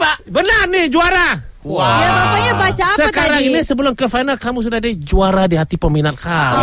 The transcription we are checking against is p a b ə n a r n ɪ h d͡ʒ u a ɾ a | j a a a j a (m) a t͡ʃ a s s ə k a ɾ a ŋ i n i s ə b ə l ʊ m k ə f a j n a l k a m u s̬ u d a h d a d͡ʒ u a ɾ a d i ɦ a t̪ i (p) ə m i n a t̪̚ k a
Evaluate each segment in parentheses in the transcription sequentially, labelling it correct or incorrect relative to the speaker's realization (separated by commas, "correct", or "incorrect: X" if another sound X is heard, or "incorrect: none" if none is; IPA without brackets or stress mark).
incorrect: b, correct